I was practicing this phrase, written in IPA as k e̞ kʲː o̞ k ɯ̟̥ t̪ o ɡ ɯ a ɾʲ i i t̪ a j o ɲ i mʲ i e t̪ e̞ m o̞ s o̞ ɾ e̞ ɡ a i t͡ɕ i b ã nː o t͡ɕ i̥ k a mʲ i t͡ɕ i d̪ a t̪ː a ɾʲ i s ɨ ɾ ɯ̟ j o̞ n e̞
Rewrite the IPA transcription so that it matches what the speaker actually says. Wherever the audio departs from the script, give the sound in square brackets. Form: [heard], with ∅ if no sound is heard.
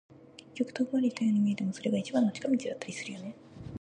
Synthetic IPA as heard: k e̞ kʲː o̞ k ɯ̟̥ t̪ o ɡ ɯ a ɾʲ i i t̪ a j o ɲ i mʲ i e t̪ e̞ m o̞ s o̞ ɾ e̞ ɡ a i t͡ɕ i b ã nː o t͡ɕ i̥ k a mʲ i t͡ɕ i d̪ a t̪ː a ɾʲ i s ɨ ɾ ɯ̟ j o̞ n e̞